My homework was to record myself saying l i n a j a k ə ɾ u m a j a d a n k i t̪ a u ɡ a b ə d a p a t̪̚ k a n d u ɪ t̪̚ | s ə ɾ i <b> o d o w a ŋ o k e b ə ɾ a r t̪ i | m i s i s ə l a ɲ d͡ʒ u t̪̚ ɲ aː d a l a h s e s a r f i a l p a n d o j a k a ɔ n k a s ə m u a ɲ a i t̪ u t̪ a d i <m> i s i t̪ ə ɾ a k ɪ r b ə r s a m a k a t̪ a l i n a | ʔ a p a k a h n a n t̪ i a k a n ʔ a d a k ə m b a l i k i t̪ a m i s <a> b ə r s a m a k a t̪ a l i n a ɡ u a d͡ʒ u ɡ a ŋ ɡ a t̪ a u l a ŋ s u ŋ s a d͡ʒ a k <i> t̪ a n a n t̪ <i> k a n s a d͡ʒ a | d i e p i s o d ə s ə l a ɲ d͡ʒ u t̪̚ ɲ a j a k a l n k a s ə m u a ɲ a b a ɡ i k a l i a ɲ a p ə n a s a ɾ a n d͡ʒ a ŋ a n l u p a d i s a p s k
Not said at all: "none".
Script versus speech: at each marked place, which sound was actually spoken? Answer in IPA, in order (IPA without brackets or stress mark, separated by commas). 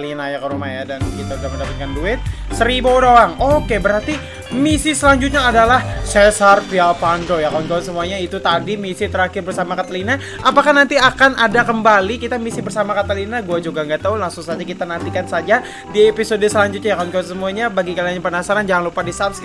b, m, i, i, i